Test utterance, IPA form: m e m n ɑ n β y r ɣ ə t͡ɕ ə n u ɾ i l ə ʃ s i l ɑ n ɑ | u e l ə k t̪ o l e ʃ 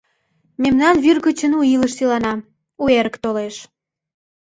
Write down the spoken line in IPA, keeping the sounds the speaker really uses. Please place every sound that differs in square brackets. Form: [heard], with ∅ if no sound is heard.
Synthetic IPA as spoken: m e m n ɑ n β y r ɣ ə t͡ɕ ə n u [∅] i l ə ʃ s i l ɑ n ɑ | u e [ɾ] ə k t̪ o l e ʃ